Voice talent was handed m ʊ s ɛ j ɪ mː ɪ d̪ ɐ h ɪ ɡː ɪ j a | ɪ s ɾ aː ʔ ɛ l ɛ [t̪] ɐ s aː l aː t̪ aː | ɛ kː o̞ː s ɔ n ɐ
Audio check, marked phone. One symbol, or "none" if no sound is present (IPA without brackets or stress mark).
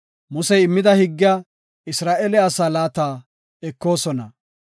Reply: none